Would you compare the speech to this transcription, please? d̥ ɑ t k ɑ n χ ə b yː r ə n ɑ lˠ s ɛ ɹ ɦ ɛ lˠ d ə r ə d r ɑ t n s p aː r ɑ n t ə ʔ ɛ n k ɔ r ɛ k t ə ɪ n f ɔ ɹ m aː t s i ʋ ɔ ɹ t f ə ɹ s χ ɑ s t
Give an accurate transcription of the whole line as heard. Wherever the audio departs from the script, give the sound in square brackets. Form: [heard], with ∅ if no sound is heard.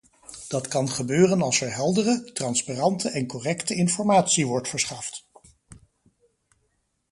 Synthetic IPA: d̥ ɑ t k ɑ n χ ə b [øː] r ə n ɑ lˠ s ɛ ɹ ɦ ɛ lˠ d ə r ə [t] r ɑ [∅] n s p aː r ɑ n t ə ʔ ɛ n k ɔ r ɛ k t ə ɪ n f ɔ ɹ m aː t s i ʋ ɔ ɹ t f ə ɹ s χ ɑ [f] t